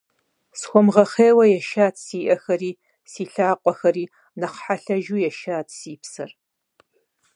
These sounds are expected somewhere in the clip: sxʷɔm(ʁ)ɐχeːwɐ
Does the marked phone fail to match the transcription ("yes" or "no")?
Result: no